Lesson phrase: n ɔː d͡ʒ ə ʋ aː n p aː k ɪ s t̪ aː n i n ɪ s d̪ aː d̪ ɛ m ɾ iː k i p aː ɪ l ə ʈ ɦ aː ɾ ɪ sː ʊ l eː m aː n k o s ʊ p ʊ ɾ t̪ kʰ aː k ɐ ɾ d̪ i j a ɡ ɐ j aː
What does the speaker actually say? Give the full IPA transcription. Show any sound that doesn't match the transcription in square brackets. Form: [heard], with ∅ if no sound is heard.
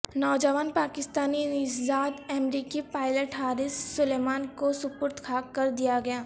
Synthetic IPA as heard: n ɔː d͡ʒ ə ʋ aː n p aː k ɪ s t̪ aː n i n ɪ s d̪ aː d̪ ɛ m ɾ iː k i p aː ɪ l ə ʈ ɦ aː ɾ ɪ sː ʊ l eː m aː n k o s ʊ p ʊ ɾ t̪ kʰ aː k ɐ ɾ d̪ i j a ɡ ɐ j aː